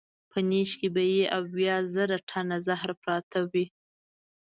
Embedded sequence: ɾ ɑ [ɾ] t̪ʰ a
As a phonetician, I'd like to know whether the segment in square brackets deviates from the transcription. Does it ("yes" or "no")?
yes